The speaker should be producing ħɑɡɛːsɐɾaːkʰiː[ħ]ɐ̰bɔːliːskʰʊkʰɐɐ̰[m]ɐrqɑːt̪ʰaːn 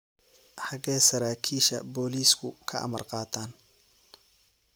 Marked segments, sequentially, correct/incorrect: incorrect, correct

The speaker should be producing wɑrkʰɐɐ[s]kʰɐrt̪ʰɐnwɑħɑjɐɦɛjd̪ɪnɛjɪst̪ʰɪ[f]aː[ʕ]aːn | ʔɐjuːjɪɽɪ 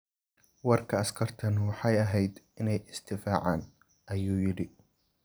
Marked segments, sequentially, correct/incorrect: correct, correct, correct

